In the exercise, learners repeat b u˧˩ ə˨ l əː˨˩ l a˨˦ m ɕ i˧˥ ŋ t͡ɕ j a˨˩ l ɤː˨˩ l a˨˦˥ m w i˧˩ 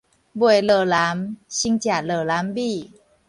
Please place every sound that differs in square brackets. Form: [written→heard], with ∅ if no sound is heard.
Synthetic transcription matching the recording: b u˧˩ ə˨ l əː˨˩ l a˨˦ m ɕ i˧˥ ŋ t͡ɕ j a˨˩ l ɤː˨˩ l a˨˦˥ m [w→b] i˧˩